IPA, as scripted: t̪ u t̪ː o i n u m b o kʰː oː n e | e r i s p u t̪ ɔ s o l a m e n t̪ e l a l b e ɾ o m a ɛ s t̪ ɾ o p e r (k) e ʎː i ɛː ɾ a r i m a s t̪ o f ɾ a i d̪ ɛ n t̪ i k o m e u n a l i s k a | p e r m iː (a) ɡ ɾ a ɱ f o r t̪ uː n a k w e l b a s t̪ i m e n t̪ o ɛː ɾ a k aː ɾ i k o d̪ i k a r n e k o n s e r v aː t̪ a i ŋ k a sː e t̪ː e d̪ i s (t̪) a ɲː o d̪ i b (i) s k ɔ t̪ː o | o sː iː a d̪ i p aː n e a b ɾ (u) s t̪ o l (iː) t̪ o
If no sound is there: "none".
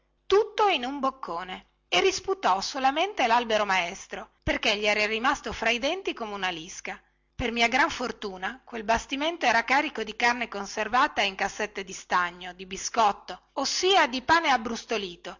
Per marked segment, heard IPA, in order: k, a, t̪, i, u, iː

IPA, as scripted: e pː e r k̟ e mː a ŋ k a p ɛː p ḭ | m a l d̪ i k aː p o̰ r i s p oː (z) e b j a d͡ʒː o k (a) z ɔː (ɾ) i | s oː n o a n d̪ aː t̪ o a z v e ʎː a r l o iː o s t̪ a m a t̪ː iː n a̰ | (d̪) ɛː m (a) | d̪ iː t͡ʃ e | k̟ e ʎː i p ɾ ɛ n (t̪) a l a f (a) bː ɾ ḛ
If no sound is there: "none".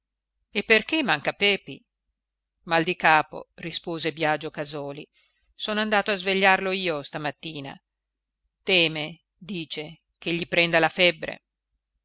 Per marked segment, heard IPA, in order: z, a, l, t̪, e, d̪, ɛ

